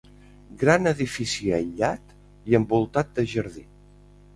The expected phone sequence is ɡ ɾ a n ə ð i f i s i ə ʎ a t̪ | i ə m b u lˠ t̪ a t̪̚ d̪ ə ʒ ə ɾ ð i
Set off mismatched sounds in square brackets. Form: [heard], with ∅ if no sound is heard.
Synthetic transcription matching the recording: ɡ ɾ a n ə ð i f i s i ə ʎ a t̪ | i ə m b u lˠ t̪ a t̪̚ d̪ ə ʒ ə ɾ ð i